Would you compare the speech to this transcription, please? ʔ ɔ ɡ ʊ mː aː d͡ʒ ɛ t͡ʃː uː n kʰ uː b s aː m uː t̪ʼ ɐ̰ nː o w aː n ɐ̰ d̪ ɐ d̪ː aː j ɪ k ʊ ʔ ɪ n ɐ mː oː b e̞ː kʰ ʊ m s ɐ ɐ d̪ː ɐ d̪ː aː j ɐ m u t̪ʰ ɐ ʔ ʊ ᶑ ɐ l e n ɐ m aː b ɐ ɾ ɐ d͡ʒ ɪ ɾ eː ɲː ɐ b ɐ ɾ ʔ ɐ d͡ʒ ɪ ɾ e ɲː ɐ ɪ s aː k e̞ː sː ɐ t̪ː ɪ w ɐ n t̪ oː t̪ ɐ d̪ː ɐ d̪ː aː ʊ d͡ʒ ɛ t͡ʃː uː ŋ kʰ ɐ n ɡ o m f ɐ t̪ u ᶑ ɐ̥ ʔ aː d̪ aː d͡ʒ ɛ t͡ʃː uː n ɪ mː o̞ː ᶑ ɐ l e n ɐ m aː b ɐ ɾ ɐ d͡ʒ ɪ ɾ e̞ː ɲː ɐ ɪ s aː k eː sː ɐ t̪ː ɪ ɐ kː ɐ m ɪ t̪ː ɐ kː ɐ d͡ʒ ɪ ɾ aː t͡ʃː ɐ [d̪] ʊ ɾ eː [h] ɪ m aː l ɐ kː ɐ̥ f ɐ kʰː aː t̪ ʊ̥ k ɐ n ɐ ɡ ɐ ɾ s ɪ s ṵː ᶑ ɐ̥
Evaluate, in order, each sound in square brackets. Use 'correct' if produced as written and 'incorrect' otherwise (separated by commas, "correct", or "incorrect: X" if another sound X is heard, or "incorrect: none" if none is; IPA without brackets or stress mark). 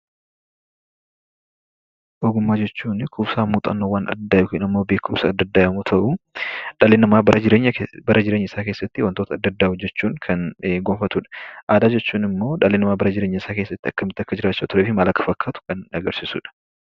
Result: incorrect: t̪, incorrect: f